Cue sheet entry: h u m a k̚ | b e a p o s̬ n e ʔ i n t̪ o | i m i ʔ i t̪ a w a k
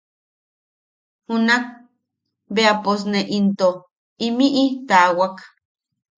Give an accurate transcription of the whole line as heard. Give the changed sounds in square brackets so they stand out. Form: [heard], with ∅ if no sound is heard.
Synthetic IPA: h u [n] a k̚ | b e a p o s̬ n e ʔ i n t̪ o | i m i ʔ i t̪ a w a k